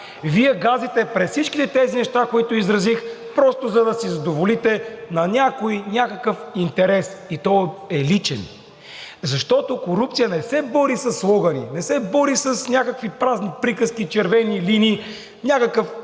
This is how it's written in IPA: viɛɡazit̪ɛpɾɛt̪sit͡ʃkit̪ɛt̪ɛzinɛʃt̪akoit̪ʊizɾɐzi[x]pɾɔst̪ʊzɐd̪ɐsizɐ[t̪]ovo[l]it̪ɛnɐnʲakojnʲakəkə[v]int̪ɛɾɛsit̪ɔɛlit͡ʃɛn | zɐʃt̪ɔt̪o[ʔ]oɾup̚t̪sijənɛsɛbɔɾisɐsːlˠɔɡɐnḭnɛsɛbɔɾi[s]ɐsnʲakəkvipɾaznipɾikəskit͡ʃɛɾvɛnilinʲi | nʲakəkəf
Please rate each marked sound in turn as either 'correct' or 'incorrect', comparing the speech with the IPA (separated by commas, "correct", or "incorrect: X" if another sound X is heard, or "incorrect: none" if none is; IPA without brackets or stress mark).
correct, incorrect: d̪, correct, incorrect: f, incorrect: k, correct